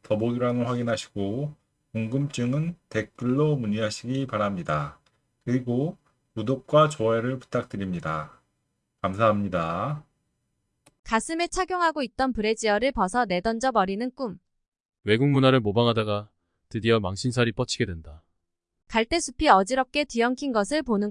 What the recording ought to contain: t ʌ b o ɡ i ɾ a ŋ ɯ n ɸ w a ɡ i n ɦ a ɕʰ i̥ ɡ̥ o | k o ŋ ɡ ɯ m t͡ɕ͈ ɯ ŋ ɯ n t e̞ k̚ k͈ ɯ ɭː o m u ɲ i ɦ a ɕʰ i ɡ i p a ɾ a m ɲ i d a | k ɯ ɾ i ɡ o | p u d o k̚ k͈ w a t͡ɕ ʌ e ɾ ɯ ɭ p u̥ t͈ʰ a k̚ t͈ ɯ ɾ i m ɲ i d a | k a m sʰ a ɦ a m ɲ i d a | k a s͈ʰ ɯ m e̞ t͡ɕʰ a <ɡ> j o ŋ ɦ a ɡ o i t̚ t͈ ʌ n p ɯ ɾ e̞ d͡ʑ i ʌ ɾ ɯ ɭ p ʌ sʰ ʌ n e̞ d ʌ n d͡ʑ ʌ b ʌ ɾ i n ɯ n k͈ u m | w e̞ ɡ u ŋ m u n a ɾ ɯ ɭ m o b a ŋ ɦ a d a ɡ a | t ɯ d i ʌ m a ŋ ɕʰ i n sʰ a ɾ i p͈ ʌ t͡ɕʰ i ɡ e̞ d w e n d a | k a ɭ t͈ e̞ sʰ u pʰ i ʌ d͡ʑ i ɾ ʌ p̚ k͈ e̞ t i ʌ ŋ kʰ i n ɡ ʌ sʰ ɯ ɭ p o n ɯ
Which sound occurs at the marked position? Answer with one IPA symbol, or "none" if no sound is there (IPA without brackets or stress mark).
ɡ